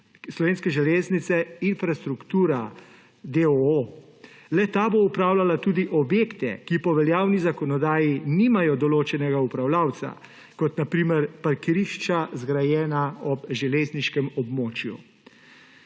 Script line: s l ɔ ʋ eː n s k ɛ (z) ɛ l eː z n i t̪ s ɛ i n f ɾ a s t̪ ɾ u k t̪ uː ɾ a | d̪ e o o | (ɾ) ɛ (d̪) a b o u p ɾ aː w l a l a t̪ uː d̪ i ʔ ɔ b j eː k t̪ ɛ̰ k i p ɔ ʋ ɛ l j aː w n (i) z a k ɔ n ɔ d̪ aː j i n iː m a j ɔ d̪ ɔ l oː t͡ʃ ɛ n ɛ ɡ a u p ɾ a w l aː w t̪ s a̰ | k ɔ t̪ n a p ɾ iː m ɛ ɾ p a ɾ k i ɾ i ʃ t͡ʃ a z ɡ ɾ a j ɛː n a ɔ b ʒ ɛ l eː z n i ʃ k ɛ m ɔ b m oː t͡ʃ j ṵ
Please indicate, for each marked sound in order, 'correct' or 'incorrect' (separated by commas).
incorrect, incorrect, incorrect, correct